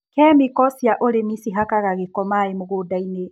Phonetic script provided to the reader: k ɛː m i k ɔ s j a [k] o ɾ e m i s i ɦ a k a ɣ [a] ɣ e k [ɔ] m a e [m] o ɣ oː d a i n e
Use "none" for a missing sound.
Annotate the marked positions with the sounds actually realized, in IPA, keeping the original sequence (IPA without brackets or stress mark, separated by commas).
ʔ, a, ɔ, m